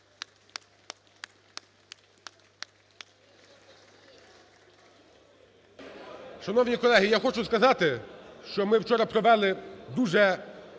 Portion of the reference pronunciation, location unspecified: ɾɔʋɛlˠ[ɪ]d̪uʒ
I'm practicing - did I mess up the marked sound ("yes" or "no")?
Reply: no